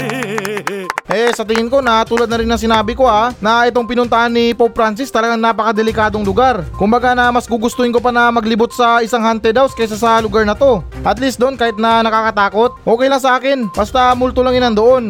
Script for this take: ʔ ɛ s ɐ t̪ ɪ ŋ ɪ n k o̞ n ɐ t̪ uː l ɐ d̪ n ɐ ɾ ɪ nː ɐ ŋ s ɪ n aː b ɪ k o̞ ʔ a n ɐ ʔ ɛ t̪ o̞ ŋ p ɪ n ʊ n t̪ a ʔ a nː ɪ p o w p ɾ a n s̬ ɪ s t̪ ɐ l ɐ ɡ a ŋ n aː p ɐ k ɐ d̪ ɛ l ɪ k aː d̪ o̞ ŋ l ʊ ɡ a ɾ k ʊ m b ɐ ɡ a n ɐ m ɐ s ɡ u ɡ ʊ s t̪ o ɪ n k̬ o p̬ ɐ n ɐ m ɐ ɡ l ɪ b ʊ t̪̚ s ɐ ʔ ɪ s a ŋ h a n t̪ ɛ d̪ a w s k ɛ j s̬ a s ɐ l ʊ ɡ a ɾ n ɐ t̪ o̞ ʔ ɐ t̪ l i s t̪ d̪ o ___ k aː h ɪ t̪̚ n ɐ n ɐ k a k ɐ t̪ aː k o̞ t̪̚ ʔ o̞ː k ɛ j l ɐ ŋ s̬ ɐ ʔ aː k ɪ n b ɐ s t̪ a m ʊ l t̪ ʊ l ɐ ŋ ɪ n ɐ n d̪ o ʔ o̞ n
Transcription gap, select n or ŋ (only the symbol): n